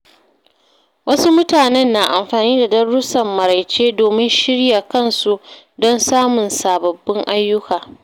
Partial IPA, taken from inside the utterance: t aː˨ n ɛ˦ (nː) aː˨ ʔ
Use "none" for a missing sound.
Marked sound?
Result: nː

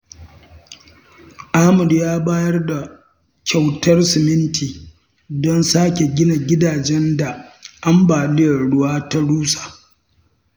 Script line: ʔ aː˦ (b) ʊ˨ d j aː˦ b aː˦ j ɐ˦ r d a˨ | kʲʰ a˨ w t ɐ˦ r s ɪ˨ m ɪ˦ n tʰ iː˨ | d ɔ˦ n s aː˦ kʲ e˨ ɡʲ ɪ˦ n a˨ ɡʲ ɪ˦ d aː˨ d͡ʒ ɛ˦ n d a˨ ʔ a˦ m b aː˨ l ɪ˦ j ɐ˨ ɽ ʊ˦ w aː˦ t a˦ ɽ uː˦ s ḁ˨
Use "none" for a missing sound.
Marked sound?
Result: m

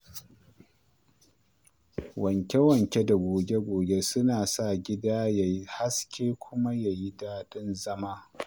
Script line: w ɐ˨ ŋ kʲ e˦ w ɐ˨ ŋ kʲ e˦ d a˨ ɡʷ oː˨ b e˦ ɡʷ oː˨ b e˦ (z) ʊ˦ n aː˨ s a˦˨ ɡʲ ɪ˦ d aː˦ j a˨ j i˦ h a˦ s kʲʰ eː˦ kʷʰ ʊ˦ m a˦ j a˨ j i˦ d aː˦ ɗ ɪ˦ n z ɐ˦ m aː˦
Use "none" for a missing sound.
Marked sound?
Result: s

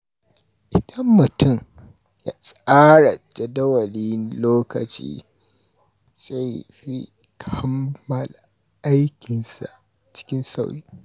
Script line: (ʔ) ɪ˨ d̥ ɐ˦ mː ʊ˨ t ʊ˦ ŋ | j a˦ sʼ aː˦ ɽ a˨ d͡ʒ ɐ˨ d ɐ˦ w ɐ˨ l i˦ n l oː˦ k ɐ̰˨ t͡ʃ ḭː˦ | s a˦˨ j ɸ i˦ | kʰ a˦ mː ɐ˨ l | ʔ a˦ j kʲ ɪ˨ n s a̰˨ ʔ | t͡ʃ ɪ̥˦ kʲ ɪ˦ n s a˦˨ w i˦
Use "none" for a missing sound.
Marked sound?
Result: ʔ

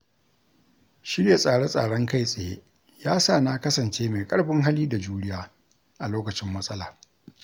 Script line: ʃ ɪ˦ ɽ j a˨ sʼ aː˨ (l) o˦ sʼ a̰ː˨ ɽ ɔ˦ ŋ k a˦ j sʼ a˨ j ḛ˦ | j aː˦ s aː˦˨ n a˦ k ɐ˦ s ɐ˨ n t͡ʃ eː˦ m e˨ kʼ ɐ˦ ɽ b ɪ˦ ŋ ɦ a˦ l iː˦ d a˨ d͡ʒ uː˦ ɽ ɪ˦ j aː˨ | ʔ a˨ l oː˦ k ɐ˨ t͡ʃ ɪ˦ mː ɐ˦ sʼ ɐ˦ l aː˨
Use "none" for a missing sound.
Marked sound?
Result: ɽ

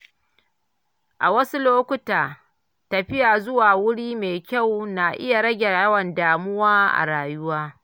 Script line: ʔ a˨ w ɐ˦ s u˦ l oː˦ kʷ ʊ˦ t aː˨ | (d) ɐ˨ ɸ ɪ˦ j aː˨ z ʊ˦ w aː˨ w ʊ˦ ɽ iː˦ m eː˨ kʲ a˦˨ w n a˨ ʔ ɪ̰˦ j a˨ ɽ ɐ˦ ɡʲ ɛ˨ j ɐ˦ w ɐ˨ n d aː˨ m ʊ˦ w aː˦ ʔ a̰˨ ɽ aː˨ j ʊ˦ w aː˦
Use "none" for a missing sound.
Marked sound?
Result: t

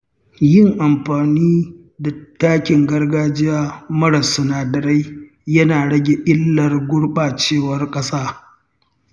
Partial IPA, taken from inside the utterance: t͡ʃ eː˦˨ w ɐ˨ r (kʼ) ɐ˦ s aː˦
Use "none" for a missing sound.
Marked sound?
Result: kʼ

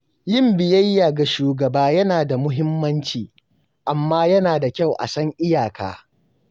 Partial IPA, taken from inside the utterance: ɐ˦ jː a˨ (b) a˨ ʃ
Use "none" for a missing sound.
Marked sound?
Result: ɡ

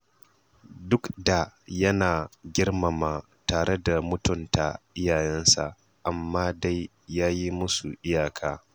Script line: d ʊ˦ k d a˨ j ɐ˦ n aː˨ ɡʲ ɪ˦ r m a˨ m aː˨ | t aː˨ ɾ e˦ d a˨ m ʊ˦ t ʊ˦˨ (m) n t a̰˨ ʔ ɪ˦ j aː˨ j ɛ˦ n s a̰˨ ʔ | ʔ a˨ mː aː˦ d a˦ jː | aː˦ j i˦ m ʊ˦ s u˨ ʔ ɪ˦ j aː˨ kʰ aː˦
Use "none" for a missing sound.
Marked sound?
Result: none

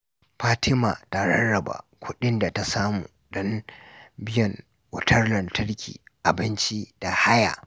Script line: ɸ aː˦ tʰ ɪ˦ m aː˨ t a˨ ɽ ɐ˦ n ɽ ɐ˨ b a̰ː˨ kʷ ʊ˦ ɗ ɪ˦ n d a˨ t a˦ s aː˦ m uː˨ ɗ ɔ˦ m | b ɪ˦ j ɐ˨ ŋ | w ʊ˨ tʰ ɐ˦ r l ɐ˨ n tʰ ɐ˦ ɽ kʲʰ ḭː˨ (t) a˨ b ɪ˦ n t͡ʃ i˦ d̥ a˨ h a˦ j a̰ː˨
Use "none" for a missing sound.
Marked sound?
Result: ʔ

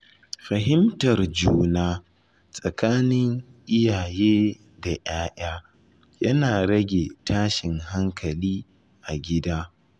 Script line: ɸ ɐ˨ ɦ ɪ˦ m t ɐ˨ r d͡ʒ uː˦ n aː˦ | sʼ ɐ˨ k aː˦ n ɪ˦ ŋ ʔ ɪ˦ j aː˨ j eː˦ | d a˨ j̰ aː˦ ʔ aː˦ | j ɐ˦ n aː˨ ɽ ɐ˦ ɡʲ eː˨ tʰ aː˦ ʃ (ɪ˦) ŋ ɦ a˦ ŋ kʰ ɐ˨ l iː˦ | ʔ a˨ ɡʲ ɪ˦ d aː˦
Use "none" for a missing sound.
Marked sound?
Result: ɪ˨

